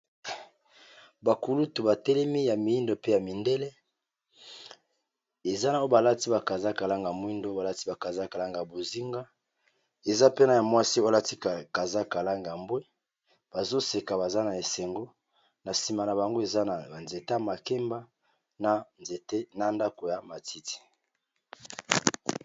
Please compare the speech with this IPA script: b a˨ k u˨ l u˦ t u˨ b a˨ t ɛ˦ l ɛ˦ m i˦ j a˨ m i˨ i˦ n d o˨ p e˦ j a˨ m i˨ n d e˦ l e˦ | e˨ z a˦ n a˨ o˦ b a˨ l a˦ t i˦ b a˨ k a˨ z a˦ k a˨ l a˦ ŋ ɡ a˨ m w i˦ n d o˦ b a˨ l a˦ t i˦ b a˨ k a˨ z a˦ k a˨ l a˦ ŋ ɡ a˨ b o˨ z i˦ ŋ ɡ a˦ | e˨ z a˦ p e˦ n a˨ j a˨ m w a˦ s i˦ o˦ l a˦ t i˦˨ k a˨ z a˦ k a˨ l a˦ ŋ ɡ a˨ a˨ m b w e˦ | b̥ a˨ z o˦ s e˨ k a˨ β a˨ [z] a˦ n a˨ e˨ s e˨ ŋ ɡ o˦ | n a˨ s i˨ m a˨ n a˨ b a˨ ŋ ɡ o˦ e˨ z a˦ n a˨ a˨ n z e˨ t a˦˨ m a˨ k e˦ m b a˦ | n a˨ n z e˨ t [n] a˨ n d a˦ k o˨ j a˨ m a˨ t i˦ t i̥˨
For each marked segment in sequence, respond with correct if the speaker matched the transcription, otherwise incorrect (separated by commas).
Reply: correct, correct